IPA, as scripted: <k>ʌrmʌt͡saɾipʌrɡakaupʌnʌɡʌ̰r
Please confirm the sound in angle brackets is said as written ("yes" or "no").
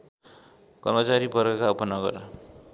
yes